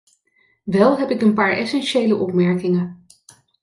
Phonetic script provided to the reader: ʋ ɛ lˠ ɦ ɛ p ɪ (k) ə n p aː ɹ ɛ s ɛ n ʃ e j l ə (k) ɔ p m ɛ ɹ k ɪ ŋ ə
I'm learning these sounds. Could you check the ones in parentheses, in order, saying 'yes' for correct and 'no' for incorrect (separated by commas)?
yes, no